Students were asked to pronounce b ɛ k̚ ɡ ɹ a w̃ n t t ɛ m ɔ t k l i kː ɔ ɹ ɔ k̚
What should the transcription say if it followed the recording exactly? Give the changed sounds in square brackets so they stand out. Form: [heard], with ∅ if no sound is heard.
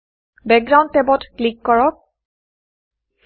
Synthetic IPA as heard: b ɛ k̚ ɡ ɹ a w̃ n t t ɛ [b] ɔ t k l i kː ɔ ɹ ɔ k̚